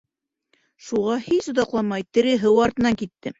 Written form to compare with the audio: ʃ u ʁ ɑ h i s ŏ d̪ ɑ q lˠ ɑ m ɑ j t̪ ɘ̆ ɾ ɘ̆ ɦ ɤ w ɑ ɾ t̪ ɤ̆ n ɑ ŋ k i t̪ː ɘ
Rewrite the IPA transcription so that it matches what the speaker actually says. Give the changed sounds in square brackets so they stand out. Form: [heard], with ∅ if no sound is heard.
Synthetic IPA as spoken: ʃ u ʁ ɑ h i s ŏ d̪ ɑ q lˠ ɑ m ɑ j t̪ ɘ̆ ɾ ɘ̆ ɦ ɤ w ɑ ɾ t̪ ɤ̆ n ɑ ŋ k i t̪ː ɘ